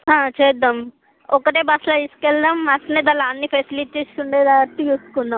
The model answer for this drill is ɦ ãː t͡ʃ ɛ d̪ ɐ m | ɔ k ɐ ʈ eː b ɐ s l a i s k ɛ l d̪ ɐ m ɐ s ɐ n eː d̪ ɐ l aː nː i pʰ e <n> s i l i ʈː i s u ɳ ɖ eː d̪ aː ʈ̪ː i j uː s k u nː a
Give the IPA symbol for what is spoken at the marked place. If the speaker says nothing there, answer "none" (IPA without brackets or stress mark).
none